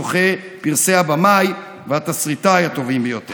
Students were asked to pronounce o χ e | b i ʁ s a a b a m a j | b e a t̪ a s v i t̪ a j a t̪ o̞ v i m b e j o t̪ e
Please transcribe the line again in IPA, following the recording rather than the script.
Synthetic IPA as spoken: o χ e | p i ʁ s e a b a m a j | v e a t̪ a s ʁ i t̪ a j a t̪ o̞ v i m b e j o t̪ e

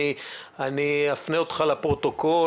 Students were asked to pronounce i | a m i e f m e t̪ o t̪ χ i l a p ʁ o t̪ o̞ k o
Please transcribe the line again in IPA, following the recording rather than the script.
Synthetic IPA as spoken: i | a n i a f n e o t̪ χ a l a p ʁ o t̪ o̞ k o

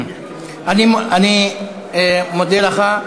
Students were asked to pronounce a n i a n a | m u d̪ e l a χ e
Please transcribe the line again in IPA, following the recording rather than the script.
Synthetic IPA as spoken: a n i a n i | m o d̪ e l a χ a

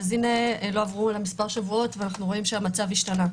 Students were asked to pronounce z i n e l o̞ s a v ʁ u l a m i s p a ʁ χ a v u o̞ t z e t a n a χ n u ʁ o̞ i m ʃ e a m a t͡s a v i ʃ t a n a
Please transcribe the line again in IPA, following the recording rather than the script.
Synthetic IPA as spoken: z i n e l o̞ a v ʁ u l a m i s p a ʁ ʃ a v u o̞ t v e a n a χ n u ʁ o̞ i m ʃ e a m a t͡s a v i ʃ t a n a

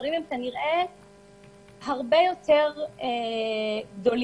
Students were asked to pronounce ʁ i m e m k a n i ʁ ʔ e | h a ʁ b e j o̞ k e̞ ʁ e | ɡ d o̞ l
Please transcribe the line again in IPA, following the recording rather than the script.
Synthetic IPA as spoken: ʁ i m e m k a n i ʁ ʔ e | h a ʁ b e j o̞ t e̞ ʁ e | ɡ d o̞ l

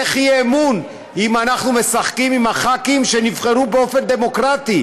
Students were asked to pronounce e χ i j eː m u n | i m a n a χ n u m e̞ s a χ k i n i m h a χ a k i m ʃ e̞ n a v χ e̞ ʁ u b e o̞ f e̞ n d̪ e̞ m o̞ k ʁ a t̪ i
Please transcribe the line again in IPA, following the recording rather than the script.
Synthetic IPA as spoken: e χ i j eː m u n | i m a n a χ n u m e̞ s a χ k i m i m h a χ a k i m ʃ e̞ n i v χ e̞ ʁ u b e o̞ f e̞ n d̪ e̞ m o̞ k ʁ a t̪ i

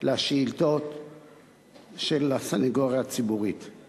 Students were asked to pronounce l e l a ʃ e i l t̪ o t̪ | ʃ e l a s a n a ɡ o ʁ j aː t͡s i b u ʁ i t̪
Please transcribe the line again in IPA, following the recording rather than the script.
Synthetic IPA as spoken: l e a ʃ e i l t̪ o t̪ | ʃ e l a s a n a ɡ o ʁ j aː t͡s i b u ʁ i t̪

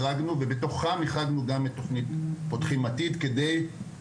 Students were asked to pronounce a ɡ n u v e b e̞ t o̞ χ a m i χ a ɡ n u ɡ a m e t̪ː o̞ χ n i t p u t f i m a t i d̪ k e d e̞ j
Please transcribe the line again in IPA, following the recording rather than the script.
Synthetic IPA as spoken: a ɡ n u v e b e̞ t o̞ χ a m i χ a ɡ n u ɡ a m e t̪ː o̞ χ n i t p o t χ i m a t i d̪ k e d e̞ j

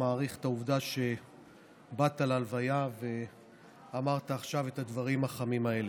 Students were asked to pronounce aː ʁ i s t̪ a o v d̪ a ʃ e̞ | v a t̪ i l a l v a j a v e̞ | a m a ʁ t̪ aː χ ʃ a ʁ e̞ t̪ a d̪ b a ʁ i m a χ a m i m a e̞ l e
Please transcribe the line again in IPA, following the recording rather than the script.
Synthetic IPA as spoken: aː ʁ i χ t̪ a u v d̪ a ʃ e̞ | b a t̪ a l a l v a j a v e̞ | a m a ʁ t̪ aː χ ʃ a v e̞ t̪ a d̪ v a ʁ i m a χ a m i m a e̞ l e

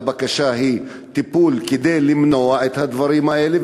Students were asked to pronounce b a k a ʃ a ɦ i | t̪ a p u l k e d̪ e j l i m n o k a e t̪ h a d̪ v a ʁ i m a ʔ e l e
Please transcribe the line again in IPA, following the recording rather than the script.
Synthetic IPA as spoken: b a k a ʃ a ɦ i | t̪ i p u l k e d̪ e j l i m n o a e t̪ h a d̪ v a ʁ i m a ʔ e l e

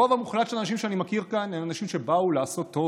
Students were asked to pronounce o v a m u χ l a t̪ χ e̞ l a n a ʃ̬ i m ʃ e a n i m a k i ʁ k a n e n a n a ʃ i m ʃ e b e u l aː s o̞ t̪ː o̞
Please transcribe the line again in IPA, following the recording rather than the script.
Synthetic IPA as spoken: o v a m u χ l a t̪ ʃ e̞ l a n a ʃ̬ i m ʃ e a n i m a k i ʁ k a n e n a n a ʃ i m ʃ e b a u l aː s o̞ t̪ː o̞

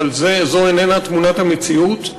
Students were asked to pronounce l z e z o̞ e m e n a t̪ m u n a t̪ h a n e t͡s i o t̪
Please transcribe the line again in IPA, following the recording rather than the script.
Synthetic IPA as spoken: l z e z o̞ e n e n a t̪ m u n a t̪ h a m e t͡s i u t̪

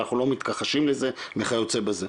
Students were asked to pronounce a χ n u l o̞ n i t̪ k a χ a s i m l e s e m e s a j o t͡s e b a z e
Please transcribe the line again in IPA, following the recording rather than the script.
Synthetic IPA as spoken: a χ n u l o̞ m i t̪ k a χ a ʃ i m l e z e m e χ a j o t͡s e b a z e

